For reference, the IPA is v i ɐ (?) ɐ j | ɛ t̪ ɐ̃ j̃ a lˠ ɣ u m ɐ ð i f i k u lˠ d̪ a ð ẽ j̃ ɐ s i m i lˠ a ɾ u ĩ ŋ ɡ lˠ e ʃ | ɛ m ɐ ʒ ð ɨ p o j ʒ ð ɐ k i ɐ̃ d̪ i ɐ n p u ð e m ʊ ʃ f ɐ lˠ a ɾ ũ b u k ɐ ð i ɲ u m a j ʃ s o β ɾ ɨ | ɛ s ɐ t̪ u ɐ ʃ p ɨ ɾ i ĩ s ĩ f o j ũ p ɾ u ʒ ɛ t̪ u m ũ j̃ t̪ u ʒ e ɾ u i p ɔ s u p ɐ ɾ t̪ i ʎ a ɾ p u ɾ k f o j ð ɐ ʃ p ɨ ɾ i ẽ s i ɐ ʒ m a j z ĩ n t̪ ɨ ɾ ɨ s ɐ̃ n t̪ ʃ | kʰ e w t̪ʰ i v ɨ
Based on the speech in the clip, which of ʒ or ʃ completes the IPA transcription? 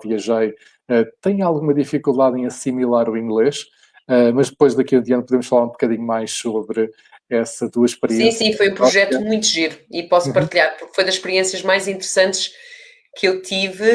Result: ʒ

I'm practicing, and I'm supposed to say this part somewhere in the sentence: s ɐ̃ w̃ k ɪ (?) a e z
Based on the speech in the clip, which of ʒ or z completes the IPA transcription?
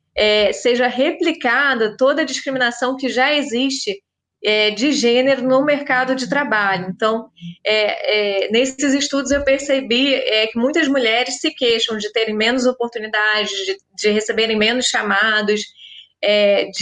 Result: ʒ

